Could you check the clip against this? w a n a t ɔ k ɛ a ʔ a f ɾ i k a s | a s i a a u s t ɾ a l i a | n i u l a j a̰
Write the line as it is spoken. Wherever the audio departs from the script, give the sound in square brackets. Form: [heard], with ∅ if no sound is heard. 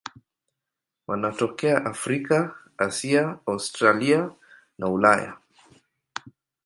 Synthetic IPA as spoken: w a n a t ɔ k ɛ a ʔ a f ɾ i k a [∅] | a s i a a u s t ɾ a l i a | n [a] u l a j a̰

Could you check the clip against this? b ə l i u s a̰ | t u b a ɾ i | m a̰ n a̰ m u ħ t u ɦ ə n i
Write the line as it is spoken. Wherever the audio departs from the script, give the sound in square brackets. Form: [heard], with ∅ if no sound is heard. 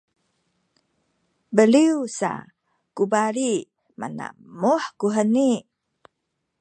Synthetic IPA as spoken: b ə l i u s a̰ | [k] u b a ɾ i | m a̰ n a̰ m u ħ [k] u ɦ ə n i

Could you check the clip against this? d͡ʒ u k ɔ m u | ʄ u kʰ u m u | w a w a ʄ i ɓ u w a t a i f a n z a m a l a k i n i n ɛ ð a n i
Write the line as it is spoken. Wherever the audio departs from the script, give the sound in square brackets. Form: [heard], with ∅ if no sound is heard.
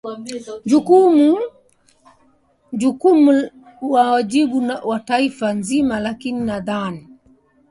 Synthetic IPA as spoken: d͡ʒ u k [u] m u | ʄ u [k] u m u | w a w a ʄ i ɓ u w a t a i f a n z [i] m a l a k i n i n [a] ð a n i

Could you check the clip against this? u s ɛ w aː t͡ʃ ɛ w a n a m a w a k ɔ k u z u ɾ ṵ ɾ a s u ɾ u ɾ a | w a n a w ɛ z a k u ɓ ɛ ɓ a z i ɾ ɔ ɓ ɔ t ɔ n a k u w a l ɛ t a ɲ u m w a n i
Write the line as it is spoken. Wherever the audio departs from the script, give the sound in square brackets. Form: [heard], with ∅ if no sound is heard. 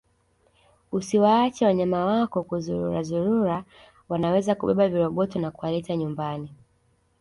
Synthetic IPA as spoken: u s [i] w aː t͡ʃ ɛ w a [ɲ] a m a w a k ɔ k u z u ɾ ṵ ɾ a [z] u ɾ u ɾ a | w a n a w ɛ z a k u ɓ ɛ ɓ a [v] i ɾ ɔ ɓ ɔ t ɔ n a k u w a l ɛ t a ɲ u m [b] a n i

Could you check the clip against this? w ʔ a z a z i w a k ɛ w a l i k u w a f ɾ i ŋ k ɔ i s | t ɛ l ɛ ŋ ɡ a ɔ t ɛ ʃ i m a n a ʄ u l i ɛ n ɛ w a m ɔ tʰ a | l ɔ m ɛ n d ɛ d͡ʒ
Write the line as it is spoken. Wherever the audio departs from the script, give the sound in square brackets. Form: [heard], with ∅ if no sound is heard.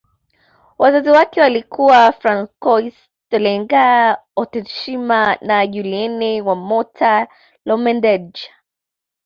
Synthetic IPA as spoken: w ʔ a z a z i w a k ɛ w a l i k u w a f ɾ [a] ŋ k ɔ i s | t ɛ l ɛ ŋ ɡ a ɔ t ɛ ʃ i m a n a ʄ u l i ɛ n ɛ w a m ɔ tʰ a | l ɔ m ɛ n d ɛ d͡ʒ

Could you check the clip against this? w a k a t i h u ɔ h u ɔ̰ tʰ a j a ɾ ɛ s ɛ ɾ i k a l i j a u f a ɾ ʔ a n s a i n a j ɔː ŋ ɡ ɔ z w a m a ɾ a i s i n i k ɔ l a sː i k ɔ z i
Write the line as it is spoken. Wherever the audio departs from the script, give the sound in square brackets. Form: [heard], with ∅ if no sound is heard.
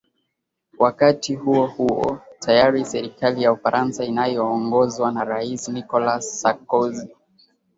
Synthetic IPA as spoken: w a k a t i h u ɔ h u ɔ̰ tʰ a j a ɾ [i] s ɛ ɾ i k a l i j a u f a ɾ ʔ a n s a i n a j ɔː ŋ ɡ ɔ z w a [n] a ɾ a i s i n i k ɔ l a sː [a] k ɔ z i

